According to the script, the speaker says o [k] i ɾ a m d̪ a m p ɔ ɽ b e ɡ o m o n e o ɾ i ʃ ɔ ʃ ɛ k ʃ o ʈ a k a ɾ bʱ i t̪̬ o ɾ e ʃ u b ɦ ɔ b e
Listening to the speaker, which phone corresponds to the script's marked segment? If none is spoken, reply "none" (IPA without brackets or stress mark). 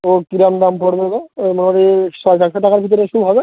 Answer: k